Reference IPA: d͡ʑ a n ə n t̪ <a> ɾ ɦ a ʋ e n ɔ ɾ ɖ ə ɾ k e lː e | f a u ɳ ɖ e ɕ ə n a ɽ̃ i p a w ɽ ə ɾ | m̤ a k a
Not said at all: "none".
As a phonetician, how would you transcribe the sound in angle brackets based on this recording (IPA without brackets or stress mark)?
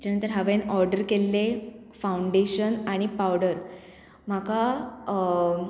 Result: ə